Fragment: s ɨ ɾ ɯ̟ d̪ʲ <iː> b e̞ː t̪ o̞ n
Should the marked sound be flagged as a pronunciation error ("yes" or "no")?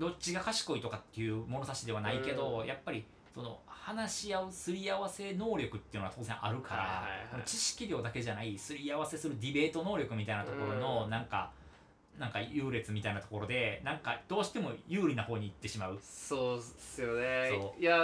yes